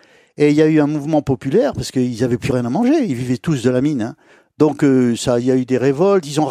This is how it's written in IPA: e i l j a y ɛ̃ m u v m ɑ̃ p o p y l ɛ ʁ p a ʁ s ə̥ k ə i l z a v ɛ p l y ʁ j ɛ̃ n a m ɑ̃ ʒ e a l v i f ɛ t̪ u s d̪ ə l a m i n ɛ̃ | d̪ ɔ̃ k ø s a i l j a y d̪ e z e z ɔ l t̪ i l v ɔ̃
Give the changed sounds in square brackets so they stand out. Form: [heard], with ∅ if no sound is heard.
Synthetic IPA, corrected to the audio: e i l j a y ɛ̃ m u v m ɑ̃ p [ɔ] p y l ɛ ʁ p a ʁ s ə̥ k ə i l z a v ɛ p l y ʁ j ɛ̃ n a m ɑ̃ ʒ e [i] l v i [v] ɛ t̪ u s d̪ ə l a m i n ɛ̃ | d̪ ɔ̃ k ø s a i l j a y d̪ e [ʁ] e [v] ɔ l t̪ i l [z] ɔ̃